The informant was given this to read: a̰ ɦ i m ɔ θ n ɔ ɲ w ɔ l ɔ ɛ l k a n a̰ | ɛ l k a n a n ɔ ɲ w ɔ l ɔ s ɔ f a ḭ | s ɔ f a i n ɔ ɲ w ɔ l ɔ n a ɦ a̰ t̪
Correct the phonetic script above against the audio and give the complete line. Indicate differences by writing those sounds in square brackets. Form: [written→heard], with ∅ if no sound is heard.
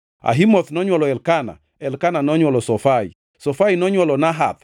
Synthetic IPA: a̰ ɦ i m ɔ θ n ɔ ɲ w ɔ l ɔ ɛ l k a n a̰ | ɛ l k a n a n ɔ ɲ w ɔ l ɔ s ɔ f a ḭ | s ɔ f a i n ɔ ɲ w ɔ l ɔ n a ɦ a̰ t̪